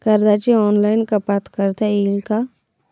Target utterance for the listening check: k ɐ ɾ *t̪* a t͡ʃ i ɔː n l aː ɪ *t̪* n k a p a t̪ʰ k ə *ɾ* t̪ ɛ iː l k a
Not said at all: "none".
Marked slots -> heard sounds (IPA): d̪, none, ɾ

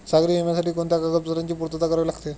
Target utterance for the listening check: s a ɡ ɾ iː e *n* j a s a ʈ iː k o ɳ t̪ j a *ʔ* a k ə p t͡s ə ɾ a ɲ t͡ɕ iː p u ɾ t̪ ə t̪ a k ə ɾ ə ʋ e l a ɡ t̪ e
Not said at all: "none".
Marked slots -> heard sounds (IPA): m, k

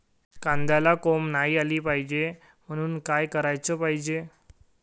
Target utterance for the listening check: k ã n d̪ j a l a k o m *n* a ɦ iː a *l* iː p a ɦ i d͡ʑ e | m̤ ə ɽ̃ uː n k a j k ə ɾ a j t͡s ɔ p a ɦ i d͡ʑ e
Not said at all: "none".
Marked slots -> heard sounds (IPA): n, l

